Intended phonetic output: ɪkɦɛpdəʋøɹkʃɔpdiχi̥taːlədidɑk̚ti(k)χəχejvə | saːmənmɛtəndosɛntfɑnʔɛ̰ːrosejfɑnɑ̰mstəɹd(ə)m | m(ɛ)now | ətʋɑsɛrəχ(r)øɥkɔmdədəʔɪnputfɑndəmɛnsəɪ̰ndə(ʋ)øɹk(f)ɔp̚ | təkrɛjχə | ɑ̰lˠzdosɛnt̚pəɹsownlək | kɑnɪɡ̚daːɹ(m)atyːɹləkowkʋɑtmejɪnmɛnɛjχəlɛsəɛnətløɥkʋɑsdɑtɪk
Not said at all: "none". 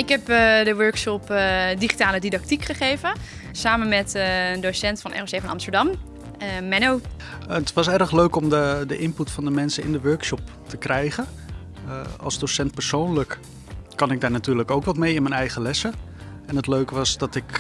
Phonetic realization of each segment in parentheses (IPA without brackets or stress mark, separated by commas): k, ɑ, ɛ, l, ʋ, ʃ, n